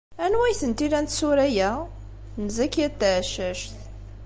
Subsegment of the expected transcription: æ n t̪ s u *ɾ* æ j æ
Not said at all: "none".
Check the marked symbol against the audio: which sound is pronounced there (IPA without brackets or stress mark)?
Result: ɾ